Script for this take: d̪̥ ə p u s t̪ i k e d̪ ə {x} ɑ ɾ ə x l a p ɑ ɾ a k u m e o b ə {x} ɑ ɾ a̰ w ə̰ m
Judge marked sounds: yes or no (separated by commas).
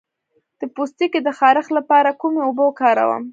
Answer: yes, no